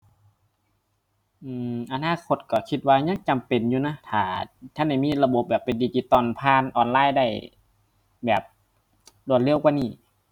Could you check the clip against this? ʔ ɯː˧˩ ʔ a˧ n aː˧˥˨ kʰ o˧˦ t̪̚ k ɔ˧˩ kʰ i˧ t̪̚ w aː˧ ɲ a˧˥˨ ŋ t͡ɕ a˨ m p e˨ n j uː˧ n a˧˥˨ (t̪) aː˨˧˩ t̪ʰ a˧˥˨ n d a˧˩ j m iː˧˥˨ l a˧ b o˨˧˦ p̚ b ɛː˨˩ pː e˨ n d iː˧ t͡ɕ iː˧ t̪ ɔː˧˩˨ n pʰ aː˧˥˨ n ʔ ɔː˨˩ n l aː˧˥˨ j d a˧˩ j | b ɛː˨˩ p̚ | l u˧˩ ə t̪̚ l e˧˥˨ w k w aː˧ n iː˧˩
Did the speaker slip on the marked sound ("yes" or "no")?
yes